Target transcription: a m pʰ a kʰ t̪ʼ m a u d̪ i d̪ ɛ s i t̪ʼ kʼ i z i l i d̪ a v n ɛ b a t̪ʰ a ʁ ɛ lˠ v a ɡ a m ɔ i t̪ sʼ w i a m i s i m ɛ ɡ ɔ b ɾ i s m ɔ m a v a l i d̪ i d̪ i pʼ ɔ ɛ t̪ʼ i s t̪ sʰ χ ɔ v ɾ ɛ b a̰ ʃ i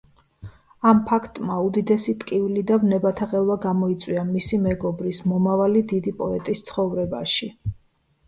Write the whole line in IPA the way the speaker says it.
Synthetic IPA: a m pʰ a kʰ t̪ʼ m a u d̪ i d̪ ɛ s i t̪ʼ kʼ i v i l i d̪ a v n ɛ b a t̪ʰ a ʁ ɛ lˠ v a ɡ a m ɔ i t̪ sʼ w i a m i s i m ɛ ɡ ɔ b ɾ i s m ɔ m a v a l i d̪ i d̪ i pʼ ɔ ɛ t̪ʼ i s t̪ sʰ χ ɔ v ɾ ɛ b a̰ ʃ i